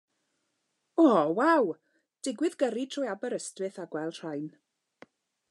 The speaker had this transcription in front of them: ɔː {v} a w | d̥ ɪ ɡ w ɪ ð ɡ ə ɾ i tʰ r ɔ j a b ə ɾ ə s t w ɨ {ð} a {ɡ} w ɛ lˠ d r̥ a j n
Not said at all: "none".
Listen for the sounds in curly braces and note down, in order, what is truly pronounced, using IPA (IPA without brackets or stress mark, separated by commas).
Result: w, θ, ɡ